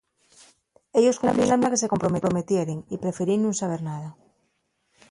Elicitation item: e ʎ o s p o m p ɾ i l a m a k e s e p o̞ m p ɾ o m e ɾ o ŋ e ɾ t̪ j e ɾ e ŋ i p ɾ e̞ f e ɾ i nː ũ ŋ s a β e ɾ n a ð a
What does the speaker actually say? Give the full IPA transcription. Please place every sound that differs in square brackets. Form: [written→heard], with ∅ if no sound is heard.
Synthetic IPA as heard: e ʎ o s [p→k] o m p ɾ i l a m a k e s e [p→k] o̞ m p ɾ o m e ɾ o [ŋ→m] e [ɾ→∅] t̪ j e ɾ e ŋ i p ɾ e̞ f e ɾ i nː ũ ŋ s a β e ɾ n a ð a